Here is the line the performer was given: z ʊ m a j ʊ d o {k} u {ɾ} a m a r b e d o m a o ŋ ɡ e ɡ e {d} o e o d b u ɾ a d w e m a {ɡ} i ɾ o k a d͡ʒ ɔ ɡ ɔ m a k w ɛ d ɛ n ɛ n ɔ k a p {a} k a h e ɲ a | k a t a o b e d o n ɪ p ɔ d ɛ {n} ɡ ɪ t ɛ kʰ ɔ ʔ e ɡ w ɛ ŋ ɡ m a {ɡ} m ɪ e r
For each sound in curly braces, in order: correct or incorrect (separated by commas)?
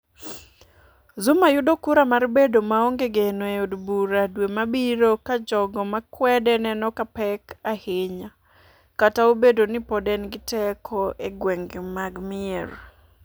correct, correct, incorrect, incorrect, incorrect, correct, correct